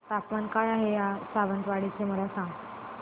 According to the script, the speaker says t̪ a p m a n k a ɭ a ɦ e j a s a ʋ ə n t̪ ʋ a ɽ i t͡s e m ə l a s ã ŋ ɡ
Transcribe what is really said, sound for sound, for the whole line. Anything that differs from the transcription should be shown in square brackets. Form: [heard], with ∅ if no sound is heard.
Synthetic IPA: t̪ a p m a n k a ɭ a ɦ e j a s a ʋ ə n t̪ ʋ a ɽ i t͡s e m ə l a s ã ŋ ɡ